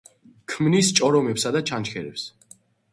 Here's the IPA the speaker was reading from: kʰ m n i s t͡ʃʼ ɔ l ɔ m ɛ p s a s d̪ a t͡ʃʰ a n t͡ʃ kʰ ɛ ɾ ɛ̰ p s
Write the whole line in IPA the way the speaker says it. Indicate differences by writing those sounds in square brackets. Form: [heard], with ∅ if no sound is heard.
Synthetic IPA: kʰ m n i s t͡ʃʼ ɔ [ɾ] ɔ m ɛ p s a [∅] d̪ a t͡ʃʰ a n t͡ʃ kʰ ɛ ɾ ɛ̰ p s